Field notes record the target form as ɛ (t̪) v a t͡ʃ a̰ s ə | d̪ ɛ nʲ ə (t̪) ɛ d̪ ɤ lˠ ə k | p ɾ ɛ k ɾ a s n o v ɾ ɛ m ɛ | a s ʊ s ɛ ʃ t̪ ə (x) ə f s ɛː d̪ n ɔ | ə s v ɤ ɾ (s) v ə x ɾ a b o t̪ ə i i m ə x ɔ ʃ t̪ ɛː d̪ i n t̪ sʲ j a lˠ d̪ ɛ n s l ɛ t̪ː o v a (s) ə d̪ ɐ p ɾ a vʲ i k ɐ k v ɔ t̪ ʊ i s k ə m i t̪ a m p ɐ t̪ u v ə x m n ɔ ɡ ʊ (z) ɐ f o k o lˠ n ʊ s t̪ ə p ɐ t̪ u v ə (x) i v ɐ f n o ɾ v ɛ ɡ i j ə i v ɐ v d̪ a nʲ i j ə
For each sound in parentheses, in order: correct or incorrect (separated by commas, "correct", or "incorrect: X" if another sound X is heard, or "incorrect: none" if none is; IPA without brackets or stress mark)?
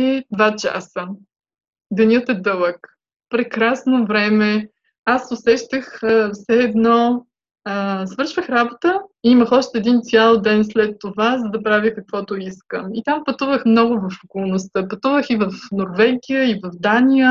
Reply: incorrect: d̪, correct, correct, incorrect: ʃ, incorrect: z, incorrect: v, correct